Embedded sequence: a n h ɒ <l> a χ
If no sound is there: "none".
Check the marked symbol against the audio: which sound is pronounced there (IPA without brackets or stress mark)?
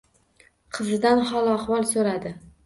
l